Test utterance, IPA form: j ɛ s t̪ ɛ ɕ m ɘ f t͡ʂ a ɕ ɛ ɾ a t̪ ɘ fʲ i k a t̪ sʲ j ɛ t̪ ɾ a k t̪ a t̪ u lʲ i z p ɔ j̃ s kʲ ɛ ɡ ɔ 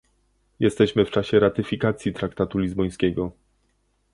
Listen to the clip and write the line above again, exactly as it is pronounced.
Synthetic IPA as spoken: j ɛ s t̪ ɛ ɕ m ɘ f t͡ʂ a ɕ ɛ ɾ a t̪ ɘ fʲ i k a t̪ sʲ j i t̪ ɾ a k t̪ a t̪ u lʲ i z b ɔ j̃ s kʲ ɛ ɡ ɔ